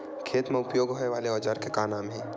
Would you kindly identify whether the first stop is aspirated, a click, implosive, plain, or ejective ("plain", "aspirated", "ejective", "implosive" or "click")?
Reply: aspirated